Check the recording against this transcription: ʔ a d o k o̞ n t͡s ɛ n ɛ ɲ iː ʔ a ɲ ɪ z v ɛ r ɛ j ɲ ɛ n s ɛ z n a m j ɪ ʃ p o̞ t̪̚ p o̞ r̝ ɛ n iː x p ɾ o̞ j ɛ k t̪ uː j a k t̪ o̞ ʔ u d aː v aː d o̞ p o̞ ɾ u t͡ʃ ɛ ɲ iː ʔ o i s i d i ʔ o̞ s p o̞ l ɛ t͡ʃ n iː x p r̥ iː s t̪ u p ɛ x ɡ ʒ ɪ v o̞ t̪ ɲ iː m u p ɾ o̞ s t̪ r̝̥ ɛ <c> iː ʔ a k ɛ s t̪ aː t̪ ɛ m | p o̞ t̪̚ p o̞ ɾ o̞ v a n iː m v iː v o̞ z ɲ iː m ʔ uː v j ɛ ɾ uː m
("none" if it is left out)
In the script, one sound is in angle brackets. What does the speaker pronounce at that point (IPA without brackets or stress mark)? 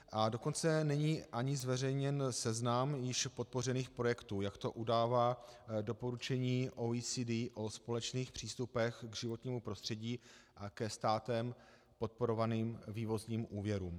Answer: ɟ